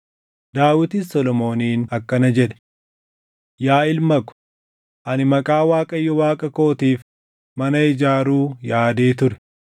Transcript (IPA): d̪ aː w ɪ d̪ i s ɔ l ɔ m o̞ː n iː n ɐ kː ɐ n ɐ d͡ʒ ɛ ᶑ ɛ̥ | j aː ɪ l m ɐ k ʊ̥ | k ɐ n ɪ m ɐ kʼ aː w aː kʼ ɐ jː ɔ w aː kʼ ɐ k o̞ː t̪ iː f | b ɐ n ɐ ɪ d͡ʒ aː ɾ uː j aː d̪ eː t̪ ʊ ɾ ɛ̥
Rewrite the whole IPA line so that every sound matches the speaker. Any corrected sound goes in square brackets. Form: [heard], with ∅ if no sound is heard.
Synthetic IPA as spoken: d̪ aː w ɪ [t̪] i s ɔ l ɔ m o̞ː n iː n ɐ kː ɐ n ɐ d͡ʒ ɛ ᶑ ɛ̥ | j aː ɪ l m ɐ k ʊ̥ | [ʔ] ɐ n ɪ m ɐ kʼ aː w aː kʼ ɐ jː ɔ w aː kʼ ɐ k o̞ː t̪ iː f | [m] ɐ n ɐ ɪ d͡ʒ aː ɾ uː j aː d̪ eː t̪ ʊ ɾ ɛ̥